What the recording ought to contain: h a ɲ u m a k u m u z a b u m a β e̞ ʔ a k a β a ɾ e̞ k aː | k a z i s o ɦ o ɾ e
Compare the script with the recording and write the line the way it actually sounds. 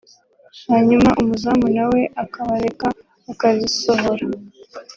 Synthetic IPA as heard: h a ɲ u m a ʔ u m u z a m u n a w e̞ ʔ a k a β a ɾ e̞ k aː | k a z i s o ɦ o ɾ a